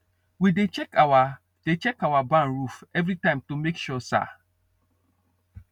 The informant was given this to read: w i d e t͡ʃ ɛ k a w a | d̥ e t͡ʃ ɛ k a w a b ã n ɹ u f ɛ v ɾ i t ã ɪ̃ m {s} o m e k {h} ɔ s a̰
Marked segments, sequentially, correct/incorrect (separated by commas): incorrect, incorrect